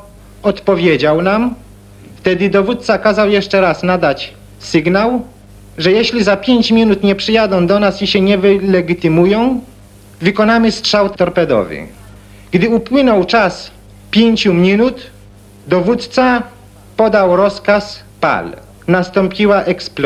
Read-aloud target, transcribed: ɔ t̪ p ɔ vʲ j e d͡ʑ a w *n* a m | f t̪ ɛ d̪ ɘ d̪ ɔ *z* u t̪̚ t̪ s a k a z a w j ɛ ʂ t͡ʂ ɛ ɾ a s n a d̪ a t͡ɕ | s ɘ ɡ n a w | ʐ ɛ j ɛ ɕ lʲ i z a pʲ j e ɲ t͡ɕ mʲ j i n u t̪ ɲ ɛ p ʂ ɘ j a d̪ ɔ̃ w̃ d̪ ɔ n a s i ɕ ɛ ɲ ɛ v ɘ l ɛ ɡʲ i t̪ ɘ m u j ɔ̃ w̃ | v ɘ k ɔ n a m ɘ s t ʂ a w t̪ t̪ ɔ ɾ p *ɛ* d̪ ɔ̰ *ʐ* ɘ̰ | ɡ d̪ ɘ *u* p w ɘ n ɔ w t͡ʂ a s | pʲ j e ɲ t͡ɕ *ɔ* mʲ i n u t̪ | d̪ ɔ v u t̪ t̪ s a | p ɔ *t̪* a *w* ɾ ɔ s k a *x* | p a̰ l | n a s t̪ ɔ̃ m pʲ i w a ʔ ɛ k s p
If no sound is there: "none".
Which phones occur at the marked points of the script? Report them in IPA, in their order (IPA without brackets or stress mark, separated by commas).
n, v, ɛ, v, u, u, d̪, w, s